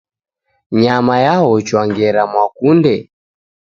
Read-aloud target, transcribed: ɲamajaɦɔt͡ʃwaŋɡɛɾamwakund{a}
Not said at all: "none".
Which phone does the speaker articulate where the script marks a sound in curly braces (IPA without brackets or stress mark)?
ɛ